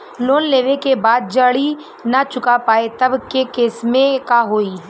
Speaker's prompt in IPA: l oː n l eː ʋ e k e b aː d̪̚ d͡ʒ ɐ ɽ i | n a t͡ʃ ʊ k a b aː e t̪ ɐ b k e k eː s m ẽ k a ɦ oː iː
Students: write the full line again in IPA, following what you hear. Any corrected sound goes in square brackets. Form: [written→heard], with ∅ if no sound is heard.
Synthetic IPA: l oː n l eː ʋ e k e b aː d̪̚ d͡ʒ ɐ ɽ i | n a t͡ʃ ʊ k a [b→p] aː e t̪ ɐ b k e k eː s m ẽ k a ɦ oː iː

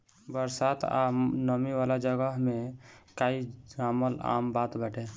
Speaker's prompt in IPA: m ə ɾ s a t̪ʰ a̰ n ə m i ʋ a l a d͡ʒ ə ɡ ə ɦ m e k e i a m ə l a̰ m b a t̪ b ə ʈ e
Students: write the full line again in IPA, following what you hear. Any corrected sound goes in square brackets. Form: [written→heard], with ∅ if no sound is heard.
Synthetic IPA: [m→b] ə ɾ s a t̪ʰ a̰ n ə m i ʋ a l a d͡ʒ ə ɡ ə ɦ m e k [e→a] i a m ə l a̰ m b a t̪ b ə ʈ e

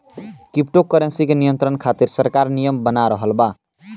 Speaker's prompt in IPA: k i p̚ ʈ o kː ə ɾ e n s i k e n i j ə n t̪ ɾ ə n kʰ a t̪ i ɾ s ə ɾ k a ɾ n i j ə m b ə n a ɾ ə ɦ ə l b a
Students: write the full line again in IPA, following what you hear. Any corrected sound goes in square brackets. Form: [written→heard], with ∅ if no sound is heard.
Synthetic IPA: k i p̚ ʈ o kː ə ɾ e n s i k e n i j ə n t̪ ɾ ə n kʰ a t̪ i ɾ s ə ɾ k a ɾ n i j ə m b ə n a ɾ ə ɦ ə l b a

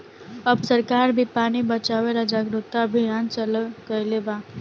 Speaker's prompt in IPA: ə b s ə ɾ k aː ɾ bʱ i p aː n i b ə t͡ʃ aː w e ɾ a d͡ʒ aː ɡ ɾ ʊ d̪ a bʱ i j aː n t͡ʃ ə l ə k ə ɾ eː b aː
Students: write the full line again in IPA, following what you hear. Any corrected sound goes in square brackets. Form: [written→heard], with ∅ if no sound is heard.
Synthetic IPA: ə b s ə ɾ k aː ɾ bʱ i p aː n i b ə t͡ʃ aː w e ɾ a d͡ʒ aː ɡ ɾ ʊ [d̪→t̪] a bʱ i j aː n t͡ʃ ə l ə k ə [ɾ→l] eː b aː

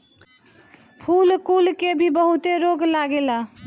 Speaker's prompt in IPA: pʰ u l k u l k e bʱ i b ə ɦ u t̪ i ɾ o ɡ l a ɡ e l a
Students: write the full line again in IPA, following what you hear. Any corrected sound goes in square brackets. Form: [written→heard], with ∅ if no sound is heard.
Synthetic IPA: pʰ u l k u l k e bʱ i b ə ɦ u t̪ [i→e] ɾ o ɡ l a ɡ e l a

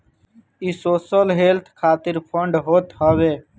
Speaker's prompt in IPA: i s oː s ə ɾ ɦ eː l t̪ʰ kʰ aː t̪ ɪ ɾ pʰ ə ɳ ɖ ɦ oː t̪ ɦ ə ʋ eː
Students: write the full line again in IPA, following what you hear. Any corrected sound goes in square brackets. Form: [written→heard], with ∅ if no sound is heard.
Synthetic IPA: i s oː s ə [ɾ→l] ɦ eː l t̪ʰ kʰ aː t̪ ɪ ɾ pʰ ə ɳ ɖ ɦ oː t̪ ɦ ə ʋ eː

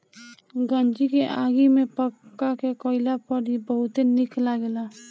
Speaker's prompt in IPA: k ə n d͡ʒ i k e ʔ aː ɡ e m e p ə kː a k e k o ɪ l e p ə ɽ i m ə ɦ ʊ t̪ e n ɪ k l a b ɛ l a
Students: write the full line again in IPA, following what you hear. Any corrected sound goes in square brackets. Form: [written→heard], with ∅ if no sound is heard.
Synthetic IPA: [k→ɡ] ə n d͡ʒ i k e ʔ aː ɡ [e→i] m e p ə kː a k e k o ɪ l [e→a] p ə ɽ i [m→b] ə ɦ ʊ t̪ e n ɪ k l a [b→ɡ] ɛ l a

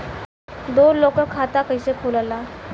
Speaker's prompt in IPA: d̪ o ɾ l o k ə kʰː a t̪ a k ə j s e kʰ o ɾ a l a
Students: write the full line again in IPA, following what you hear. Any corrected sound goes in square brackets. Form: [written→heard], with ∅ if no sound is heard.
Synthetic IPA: d̪ o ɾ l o k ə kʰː a t̪ a k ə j s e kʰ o [ɾ→l] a l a

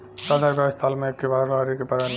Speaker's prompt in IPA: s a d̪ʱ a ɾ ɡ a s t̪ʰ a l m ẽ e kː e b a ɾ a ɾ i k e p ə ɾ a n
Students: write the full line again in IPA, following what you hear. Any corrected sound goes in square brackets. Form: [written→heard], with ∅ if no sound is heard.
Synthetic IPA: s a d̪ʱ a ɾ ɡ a s t̪ʰ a l m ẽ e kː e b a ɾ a ɾ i k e p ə ɾ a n

